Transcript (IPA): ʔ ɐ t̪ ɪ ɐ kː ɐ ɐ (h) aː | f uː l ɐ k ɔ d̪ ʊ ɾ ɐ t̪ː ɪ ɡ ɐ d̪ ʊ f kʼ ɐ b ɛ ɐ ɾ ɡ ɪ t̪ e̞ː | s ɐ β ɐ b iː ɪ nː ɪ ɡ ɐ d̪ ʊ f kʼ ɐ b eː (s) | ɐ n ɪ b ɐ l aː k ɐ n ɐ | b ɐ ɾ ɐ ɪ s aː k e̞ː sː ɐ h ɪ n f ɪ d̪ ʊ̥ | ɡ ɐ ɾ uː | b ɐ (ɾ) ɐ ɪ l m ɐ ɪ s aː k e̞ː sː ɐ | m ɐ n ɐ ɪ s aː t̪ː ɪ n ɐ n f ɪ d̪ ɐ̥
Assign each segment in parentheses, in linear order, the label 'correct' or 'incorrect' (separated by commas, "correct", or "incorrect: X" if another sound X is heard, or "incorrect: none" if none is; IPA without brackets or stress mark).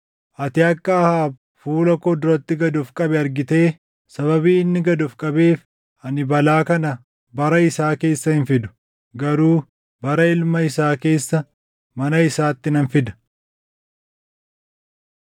correct, incorrect: f, correct